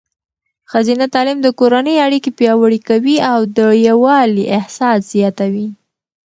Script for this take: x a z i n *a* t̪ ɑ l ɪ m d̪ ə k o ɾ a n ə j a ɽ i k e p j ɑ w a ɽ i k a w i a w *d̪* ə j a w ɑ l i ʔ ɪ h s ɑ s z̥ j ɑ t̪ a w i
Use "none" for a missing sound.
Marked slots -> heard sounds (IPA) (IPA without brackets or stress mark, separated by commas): a, d̪